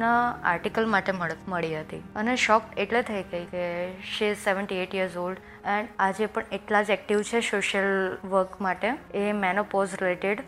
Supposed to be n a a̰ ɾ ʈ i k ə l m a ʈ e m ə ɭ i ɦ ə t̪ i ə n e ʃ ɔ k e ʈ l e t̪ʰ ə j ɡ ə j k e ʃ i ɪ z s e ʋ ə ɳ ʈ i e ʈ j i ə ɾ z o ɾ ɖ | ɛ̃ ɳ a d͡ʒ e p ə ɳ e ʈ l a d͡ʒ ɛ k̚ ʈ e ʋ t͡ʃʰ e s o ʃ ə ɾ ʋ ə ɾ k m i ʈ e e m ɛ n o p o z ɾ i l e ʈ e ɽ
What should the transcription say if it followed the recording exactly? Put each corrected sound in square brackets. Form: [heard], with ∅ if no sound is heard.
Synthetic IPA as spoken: n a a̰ ɾ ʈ i k ə l m a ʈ e m ə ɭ i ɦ ə t̪ i ə n e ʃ ɔ k e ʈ l e t̪ʰ ə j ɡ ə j k e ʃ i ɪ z s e ʋ ə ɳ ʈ i e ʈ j i ə ɾ z o [l] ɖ | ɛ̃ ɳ a d͡ʒ e p ə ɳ e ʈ l a d͡ʒ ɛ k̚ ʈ [i] ʋ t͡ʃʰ e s o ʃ ə [l] ʋ ə ɾ k m [a] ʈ e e m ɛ n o p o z ɾ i l e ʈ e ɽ